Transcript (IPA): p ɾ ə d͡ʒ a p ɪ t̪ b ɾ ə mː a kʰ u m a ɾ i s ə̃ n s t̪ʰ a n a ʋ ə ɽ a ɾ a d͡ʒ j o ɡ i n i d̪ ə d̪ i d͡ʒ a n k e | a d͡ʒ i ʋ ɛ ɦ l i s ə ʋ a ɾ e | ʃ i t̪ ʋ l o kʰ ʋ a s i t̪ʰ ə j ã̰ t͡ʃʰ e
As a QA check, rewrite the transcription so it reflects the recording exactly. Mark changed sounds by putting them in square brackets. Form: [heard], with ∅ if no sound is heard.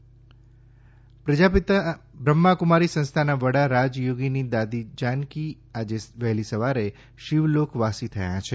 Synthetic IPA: p ɾ ə d͡ʒ a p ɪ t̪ b ɾ ə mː a [k] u m a ɾ i s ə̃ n s t̪ʰ a n a ʋ ə ɽ a ɾ a d͡ʒ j o ɡ i n i d̪ [a] d̪ i d͡ʒ a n k [i] | a d͡ʒ [e] ʋ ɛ ɦ l i s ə ʋ a ɾ e | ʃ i [∅] ʋ l o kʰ ʋ a s i t̪ʰ ə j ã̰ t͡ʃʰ e

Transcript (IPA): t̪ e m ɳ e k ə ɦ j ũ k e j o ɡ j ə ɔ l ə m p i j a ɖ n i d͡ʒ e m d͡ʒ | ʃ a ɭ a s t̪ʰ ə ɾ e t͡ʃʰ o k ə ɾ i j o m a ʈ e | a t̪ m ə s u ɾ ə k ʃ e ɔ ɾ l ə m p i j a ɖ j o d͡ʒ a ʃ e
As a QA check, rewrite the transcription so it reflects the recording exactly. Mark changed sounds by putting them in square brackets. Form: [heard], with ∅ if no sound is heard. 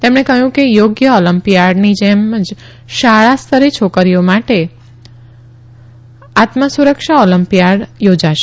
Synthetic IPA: t̪ e m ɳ e k ə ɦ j ũ k e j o ɡ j ə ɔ l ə m p i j a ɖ n i d͡ʒ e m d͡ʒ | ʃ a ɭ a s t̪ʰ ə ɾ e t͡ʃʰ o k ə ɾ i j o m a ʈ e | a t̪ m ə s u ɾ ə k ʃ [a] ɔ [∅] l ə m p i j a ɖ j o d͡ʒ a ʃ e

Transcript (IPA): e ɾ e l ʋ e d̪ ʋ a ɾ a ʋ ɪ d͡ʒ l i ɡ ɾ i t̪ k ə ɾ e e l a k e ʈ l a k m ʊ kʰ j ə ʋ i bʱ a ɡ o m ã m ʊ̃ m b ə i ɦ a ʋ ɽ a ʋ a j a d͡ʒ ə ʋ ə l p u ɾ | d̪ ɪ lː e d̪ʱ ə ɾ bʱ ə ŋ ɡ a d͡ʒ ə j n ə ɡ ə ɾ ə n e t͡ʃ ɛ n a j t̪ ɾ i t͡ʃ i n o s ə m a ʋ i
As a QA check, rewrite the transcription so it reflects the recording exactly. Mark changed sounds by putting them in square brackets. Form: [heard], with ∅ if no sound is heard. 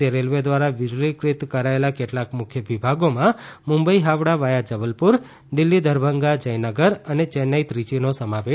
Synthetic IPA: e ɾ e l ʋ e d̪ ʋ a ɾ a ʋ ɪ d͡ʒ l i [k] ɾ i t̪ k ə ɾ [a] e l a k e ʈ l a k m ʊ kʰ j ə ʋ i bʱ a ɡ o m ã m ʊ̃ m b ə i ɦ a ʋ ɽ a ʋ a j a d͡ʒ ə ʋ ə l p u ɾ | d̪ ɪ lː [i] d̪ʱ ə ɾ bʱ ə ŋ ɡ a d͡ʒ ə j n ə ɡ ə ɾ ə n e t͡ʃ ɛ n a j t̪ ɾ i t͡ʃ i n o s ə m a ʋ [e]

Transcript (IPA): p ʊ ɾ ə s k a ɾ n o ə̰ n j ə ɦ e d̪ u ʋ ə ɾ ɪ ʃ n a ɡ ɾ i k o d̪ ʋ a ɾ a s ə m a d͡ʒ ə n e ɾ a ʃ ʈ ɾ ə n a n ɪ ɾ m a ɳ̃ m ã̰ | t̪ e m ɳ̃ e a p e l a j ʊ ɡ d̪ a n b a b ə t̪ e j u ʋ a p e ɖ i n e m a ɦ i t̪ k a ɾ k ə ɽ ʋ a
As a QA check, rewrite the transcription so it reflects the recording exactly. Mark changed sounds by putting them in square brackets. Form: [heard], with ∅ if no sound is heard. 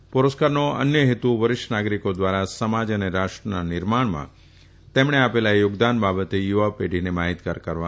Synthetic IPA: p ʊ ɾ ə s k a ɾ n o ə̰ n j ə ɦ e [t̪] u ʋ ə ɾ ɪ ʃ n a ɡ ɾ i k o d̪ ʋ a ɾ a s ə m a d͡ʒ ə n e ɾ a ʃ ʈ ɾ ə n a n ɪ ɾ m a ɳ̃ m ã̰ | t̪ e m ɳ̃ e a p e l a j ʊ ɡ d̪ a n b a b ə t̪ e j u ʋ a p e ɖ i n e m a ɦ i t̪ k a ɾ k ə [ɾ] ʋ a

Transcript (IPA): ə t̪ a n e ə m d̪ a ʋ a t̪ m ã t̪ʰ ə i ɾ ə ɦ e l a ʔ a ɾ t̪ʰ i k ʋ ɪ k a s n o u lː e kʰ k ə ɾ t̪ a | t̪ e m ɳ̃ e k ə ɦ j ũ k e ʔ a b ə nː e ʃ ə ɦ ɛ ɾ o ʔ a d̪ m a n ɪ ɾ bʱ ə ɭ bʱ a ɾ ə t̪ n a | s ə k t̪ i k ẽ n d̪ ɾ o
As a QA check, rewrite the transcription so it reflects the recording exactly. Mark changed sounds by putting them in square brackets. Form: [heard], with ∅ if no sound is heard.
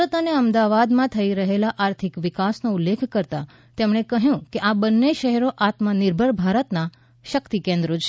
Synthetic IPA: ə t̪ a n e ə m d̪ a ʋ a [d̪] m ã t̪ʰ ə i ɾ ə ɦ e l a ʔ a ɾ t̪ʰ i k ʋ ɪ k a s n o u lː e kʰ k ə ɾ t̪ a | t̪ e m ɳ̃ e k ə ɦ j ũ k e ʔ a b ə nː e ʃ ə ɦ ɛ ɾ o ʔ a [t̪] m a n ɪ ɾ bʱ ə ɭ bʱ a ɾ ə t̪ n a | [ʃ] ə k t̪ i k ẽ n d̪ ɾ o

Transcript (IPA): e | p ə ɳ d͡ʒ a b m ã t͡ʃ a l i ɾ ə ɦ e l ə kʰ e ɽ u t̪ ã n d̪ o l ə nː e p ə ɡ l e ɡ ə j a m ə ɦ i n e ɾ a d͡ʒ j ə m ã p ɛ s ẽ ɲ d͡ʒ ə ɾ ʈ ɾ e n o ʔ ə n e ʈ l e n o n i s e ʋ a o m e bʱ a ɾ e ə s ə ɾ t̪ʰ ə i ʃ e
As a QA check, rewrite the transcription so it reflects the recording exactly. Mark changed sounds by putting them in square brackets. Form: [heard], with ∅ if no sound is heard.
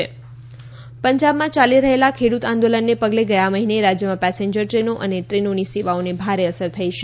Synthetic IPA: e | p ə [ɲ] d͡ʒ a b m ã t͡ʃ a l i ɾ ə ɦ e l [a] kʰ e ɽ u t̪ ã n d̪ o l ə nː e p ə ɡ l e ɡ ə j a m ə ɦ i n e ɾ a d͡ʒ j ə m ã p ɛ s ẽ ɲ d͡ʒ ə ɾ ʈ ɾ e n o ʔ ə n e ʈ [ɾ] e n o n i s e ʋ a o [n] e bʱ a ɾ e ə s ə ɾ t̪ʰ ə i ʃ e

